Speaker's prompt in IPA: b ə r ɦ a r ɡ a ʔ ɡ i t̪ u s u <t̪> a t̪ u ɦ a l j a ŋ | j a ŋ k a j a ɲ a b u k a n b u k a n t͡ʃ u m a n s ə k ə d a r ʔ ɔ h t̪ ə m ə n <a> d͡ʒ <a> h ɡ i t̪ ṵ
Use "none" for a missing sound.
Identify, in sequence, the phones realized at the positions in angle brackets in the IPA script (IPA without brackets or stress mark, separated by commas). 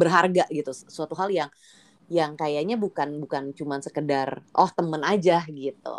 none, a, a